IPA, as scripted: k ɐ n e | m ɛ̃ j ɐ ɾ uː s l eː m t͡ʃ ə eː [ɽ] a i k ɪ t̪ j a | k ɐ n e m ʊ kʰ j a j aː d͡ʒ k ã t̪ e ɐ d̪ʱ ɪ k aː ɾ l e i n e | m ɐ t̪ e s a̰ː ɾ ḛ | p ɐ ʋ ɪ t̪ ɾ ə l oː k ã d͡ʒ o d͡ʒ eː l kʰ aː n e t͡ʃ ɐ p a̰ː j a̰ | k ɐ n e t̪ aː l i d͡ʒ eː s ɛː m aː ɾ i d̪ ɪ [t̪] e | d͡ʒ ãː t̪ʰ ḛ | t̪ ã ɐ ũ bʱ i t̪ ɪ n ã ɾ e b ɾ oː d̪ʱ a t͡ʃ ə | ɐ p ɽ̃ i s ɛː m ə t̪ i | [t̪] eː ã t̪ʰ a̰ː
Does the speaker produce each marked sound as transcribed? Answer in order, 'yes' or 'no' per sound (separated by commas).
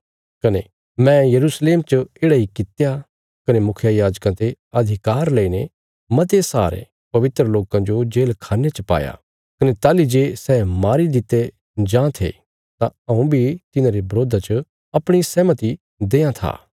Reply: yes, yes, no